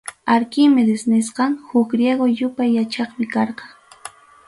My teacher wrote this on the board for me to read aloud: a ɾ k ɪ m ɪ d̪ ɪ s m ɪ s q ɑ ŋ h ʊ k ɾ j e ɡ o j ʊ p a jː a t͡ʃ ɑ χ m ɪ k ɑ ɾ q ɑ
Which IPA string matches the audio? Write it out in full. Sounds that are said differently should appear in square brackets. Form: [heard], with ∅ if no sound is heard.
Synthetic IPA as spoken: a ɾ k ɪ m ɪ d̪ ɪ s [n] ɪ s q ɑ ŋ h ʊ k ɾ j e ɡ o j ʊ p a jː a t͡ʃ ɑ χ m ɪ k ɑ ɾ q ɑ